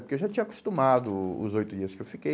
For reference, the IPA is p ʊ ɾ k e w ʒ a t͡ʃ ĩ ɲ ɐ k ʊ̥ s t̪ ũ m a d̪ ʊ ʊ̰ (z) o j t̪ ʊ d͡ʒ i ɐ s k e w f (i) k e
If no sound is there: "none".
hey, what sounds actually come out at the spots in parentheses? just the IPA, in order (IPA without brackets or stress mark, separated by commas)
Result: z, i